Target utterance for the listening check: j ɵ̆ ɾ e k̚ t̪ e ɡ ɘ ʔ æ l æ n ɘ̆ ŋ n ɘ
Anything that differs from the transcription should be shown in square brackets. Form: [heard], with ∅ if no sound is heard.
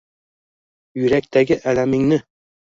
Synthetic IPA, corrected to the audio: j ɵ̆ ɾ [æ] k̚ t̪ [æ] ɡ ɘ ʔ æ l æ [m] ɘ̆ ŋ n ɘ